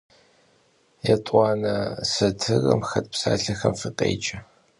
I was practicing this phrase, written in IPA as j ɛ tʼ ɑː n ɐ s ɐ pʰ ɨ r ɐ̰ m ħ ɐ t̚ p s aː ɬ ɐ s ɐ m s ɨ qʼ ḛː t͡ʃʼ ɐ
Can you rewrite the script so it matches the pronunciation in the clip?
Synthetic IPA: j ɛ tʼ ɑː n ɐ s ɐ tʰ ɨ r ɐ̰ m x ɐ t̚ p s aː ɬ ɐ x ɐ m f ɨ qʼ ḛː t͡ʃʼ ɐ